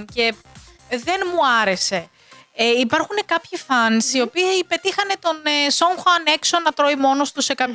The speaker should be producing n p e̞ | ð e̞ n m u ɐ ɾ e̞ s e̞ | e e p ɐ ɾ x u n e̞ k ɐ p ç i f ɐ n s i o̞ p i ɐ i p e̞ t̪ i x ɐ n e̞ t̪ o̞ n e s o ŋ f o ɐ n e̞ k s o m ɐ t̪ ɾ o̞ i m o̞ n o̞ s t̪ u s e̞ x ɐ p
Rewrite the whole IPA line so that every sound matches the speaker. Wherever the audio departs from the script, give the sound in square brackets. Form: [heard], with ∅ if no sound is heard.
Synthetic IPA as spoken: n [c] e̞ | ð e̞ n m u ɐ ɾ e̞ s e̞ | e [i] p ɐ ɾ x u n e̞ k ɐ p ç i f ɐ n s i o̞ p i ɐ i p e̞ t̪ i x ɐ n e̞ t̪ o̞ n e s o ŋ [x] o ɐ n e̞ k s o [n] ɐ t̪ ɾ o̞ i m o̞ n o̞ s t̪ u s e̞ [k] ɐ p